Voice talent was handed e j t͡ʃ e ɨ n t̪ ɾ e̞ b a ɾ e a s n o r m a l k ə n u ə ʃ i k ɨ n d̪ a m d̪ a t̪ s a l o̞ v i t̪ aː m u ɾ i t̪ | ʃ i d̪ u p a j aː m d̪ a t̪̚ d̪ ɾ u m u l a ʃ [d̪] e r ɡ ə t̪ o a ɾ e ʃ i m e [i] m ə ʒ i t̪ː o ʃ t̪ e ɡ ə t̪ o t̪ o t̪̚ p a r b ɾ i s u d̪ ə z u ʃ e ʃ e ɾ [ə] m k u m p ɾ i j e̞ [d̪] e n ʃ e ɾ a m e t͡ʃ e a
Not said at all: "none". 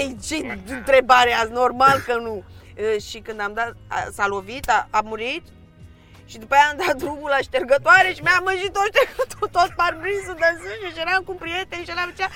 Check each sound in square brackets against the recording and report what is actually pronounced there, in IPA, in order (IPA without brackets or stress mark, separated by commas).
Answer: t̪, a, a, t̪